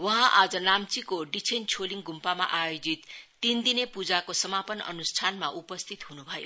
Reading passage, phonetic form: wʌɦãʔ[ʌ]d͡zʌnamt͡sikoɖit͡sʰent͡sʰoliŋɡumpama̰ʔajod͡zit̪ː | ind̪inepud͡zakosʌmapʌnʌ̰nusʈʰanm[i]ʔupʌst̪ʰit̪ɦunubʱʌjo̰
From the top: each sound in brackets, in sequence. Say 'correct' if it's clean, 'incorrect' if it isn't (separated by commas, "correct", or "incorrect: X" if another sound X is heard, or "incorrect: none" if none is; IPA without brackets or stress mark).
incorrect: a, incorrect: a